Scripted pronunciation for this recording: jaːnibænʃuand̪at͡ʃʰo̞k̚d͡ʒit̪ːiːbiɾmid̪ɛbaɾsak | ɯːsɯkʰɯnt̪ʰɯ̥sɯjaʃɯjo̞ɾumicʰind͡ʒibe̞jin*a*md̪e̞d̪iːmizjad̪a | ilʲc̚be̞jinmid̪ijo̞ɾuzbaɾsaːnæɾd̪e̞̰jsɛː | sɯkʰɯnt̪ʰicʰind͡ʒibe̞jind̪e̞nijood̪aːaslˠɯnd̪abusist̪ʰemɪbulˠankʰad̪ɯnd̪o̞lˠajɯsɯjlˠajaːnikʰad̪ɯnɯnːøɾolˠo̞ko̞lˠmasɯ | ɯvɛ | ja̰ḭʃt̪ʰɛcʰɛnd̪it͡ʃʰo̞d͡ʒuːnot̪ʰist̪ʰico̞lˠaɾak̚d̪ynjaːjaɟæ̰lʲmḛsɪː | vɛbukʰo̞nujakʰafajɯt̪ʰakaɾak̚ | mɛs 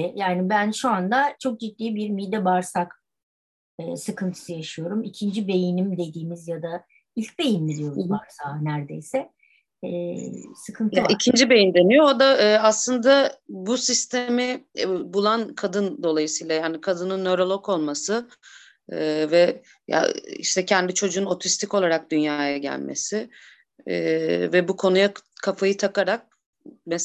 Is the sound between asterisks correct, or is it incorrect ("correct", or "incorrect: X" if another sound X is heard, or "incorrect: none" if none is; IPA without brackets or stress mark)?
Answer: incorrect: i